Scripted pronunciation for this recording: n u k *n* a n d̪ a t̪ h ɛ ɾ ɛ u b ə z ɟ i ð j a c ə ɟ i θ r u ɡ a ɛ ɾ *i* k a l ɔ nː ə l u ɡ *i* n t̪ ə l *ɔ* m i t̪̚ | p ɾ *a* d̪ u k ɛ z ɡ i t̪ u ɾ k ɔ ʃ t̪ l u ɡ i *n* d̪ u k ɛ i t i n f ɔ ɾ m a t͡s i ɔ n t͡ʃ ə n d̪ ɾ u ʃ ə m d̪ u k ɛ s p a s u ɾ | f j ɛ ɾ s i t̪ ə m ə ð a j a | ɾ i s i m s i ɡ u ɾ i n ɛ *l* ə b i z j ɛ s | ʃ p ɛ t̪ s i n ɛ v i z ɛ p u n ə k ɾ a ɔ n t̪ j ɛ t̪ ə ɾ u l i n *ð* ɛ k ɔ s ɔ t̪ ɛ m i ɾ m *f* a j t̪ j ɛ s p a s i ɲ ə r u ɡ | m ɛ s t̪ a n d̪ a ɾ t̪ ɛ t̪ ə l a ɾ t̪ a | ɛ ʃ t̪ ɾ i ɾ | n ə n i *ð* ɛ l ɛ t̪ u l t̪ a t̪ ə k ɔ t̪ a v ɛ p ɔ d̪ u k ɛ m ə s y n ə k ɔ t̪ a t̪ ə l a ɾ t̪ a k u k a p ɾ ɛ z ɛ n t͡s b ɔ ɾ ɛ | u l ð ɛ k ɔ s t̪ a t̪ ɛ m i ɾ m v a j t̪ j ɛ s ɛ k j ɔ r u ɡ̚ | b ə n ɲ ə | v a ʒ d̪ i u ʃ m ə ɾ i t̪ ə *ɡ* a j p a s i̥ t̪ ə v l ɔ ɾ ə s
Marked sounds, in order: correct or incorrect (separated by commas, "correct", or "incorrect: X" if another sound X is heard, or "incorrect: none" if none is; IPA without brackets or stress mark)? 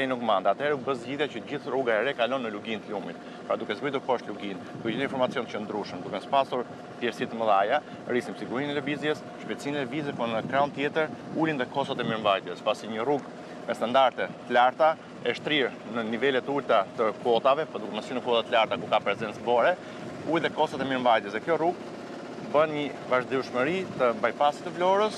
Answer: incorrect: m, incorrect: ɛ, correct, incorrect: u, correct, correct, correct, correct, incorrect: v, incorrect: v, incorrect: b